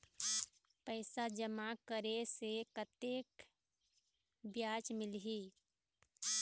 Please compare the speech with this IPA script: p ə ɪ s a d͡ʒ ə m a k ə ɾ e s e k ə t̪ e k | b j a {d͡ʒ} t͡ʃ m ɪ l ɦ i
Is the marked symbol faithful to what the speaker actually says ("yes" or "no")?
no